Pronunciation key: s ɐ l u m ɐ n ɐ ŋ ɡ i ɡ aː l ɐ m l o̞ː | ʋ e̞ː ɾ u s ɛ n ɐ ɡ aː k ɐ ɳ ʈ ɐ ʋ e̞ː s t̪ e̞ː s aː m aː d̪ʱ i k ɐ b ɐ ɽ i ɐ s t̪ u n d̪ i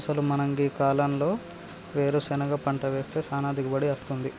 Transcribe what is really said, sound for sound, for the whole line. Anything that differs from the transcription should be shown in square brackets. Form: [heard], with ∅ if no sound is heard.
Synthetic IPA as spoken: s ɐ l u m ɐ n ɐ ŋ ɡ i [k] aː l ɐ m l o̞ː | ʋ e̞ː ɾ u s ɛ n ɐ ɡ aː [p] ɐ ɳ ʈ ɐ ʋ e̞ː s t̪ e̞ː s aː [n] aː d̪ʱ i k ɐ b ɐ ɽ i ɐ s t̪ u n d̪ i